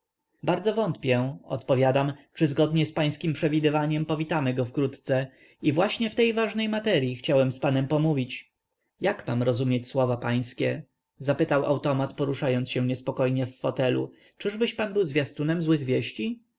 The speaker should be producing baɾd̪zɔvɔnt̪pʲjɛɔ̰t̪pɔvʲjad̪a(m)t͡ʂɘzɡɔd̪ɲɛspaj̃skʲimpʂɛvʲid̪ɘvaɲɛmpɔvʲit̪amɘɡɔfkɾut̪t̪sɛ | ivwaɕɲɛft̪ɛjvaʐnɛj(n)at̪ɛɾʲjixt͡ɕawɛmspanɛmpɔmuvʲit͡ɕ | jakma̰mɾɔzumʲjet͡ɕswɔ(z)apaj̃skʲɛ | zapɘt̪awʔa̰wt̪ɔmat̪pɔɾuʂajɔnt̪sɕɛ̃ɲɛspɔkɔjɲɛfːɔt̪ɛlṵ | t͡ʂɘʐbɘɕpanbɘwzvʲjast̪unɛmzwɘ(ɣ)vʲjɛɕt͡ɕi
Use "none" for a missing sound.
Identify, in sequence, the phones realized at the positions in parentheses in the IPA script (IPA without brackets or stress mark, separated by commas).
m, m, v, ɣ